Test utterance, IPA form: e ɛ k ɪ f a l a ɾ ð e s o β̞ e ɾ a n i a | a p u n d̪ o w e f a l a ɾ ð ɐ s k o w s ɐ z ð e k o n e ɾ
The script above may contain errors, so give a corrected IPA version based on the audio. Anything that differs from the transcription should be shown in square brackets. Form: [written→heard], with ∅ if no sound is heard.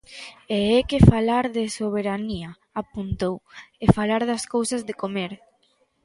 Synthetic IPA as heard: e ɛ k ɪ f a l a ɾ ð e s o β̞ e ɾ a n i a | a p u n [d̪→t̪] o w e f a l a ɾ ð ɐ s k o w s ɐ z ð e k o [n→m] e ɾ